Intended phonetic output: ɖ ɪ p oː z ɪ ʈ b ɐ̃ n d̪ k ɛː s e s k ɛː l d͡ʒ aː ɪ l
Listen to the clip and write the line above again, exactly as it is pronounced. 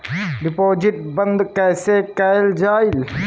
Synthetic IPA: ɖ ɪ p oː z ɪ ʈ b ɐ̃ n d̪ k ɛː s e k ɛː l d͡ʒ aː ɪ l